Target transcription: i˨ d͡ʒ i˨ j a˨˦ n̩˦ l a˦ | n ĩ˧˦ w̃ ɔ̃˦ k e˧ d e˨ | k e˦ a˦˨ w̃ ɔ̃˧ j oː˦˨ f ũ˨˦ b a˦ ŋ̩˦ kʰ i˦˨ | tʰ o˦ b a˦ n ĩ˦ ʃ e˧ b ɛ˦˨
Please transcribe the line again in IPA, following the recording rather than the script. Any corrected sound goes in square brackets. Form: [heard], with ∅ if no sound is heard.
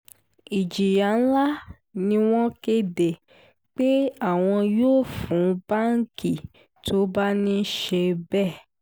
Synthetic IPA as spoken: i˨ d͡ʒ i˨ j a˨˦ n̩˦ l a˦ | n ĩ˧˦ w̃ ɔ̃˦ k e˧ d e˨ | [k͡p] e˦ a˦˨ w̃ ɔ̃˧ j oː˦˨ f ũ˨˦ b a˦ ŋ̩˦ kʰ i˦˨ | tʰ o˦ b a˦ n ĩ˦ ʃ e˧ b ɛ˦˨